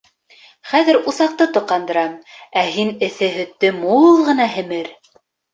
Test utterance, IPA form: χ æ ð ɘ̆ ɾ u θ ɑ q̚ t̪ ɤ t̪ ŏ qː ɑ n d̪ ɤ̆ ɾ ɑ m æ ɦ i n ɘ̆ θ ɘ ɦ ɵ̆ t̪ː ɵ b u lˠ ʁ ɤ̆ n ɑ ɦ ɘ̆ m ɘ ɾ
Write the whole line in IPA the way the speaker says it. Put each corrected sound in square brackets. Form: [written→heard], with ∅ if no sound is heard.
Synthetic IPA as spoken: χ æ ð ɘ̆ ɾ u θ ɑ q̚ t̪ ɤ t̪ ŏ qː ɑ n d̪ ɤ̆ ɾ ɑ m æ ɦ i n ɘ̆ θ ɘ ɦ ɵ̆ t̪ː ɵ [b→m] u lˠ ʁ ɤ̆ n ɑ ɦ ɘ̆ m ɘ ɾ